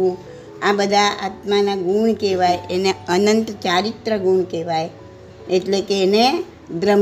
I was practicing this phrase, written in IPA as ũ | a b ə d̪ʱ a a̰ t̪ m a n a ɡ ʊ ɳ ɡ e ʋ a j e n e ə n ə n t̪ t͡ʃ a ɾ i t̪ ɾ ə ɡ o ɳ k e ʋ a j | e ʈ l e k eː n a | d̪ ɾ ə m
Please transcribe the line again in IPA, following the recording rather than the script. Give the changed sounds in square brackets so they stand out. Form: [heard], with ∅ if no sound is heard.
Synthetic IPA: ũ | a b ə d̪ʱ a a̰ t̪ m a n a ɡ [u] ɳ [k] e ʋ a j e n e ə n ə n t̪ t͡ʃ a ɾ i t̪ ɾ ə ɡ [u] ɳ k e ʋ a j | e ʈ l e k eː n [e] | d̪ ɾ ə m